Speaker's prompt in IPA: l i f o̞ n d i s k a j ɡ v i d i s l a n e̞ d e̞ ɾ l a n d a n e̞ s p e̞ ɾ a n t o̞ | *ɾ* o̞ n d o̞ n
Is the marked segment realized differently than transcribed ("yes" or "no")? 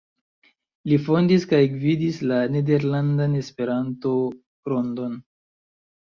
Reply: no